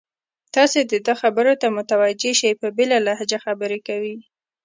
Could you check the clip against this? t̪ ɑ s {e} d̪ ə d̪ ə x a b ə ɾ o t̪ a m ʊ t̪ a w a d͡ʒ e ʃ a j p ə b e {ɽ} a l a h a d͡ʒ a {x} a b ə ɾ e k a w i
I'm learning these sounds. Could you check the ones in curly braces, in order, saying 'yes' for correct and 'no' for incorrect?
yes, no, yes

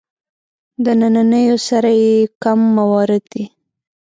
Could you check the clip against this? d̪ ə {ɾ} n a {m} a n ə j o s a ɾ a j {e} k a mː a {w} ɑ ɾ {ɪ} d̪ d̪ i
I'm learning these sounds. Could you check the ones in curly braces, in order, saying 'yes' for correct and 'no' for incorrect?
no, no, yes, yes, yes

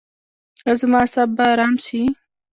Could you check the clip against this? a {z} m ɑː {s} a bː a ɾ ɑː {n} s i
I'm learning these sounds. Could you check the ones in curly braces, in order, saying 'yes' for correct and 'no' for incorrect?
yes, yes, no

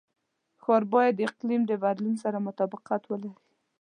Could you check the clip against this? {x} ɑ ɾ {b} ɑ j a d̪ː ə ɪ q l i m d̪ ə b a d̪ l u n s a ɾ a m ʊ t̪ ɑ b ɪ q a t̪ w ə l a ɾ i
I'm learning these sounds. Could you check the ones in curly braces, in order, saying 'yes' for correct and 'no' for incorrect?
yes, yes

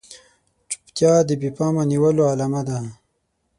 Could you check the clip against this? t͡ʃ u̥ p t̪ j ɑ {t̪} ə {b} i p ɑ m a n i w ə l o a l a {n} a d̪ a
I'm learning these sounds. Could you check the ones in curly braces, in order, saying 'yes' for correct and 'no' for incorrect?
no, yes, no

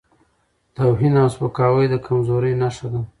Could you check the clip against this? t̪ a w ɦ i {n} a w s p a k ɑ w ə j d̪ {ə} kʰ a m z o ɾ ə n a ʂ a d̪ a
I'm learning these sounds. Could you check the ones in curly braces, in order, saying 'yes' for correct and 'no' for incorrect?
yes, yes

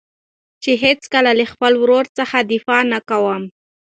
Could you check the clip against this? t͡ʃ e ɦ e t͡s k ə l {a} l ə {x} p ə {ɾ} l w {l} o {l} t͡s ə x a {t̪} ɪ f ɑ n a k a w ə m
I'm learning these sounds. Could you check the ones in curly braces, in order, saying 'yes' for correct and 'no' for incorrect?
yes, yes, no, no, no, no

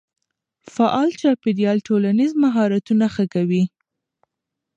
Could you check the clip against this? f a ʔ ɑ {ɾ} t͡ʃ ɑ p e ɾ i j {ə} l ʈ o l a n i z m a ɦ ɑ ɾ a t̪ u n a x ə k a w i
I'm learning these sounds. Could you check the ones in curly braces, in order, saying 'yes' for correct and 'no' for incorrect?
no, no

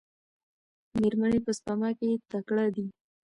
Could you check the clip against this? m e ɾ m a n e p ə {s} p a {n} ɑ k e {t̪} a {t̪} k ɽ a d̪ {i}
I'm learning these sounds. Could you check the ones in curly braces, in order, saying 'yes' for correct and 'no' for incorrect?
yes, no, yes, no, yes

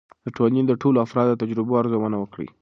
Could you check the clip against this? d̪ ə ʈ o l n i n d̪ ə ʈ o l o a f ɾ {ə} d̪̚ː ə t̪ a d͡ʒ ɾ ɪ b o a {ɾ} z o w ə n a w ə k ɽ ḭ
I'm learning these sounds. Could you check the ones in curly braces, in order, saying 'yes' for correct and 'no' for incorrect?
no, yes

